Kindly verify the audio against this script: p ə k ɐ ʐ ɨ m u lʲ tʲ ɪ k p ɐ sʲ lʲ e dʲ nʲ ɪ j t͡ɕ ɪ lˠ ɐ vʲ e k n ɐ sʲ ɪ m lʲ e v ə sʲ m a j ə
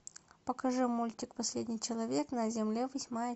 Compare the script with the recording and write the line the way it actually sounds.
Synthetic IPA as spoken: p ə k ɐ ʐ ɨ m u lʲ tʲ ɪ k p ɐ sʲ lʲ e dʲ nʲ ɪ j t͡ɕ ɪ lˠ ɐ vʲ e k n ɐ zʲ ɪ m lʲ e v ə sʲ m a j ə